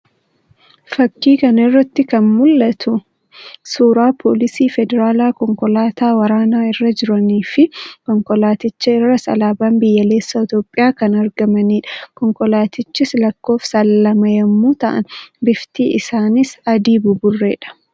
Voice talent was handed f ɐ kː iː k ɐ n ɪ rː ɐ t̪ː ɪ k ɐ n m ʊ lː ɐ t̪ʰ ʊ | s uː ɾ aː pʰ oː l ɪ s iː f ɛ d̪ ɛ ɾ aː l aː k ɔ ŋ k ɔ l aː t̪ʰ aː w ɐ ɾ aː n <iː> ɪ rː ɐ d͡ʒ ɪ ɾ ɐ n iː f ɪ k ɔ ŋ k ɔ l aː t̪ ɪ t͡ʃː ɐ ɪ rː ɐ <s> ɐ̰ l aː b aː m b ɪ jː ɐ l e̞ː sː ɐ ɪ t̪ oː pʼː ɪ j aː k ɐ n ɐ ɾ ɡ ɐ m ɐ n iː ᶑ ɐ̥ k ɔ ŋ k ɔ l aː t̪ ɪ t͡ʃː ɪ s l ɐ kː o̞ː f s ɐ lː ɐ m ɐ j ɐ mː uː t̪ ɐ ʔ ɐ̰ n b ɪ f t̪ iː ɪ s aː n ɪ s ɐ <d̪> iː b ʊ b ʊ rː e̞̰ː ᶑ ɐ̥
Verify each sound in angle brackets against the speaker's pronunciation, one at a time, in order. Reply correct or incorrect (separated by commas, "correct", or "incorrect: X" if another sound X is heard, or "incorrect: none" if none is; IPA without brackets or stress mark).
incorrect: aː, correct, correct